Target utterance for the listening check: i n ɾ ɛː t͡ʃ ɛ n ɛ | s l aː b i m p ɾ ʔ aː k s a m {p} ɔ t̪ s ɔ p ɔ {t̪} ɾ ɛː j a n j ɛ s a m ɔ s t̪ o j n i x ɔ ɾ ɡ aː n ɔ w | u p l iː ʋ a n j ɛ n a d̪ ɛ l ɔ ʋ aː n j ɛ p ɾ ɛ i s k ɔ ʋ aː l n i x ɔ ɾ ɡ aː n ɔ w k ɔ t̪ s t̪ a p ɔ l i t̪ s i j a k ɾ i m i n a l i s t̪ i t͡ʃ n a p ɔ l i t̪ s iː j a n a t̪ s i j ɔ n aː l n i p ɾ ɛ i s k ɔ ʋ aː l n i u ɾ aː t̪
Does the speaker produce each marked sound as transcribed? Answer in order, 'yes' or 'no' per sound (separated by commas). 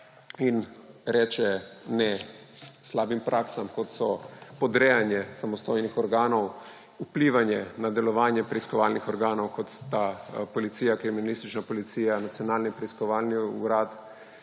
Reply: no, no